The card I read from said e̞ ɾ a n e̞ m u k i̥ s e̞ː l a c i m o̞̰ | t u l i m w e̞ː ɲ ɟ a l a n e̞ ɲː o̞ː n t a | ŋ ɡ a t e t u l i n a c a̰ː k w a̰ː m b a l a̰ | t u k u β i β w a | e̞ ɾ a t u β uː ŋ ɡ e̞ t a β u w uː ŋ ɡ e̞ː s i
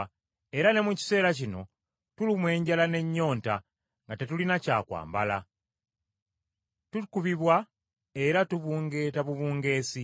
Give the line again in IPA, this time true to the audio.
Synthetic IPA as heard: e̞ ɾ a n e̞ m u c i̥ s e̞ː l a c i n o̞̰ | t u l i m w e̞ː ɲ ɟ a l a n e̞ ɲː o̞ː n t a | ŋ ɡ a t e t u l i n a c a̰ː k w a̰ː m b a l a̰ | t u k u β i β w a | e̞ ɾ a t u β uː ŋ ɡ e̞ t a β u β uː ŋ ɡ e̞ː s i